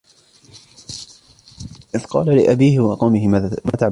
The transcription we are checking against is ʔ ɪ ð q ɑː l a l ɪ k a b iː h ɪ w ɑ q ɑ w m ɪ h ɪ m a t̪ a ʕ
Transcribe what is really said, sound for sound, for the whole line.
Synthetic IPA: ʔ ɪ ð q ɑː l a l ɪ ʔ a b iː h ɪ w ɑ q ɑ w m ɪ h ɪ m a t̪ a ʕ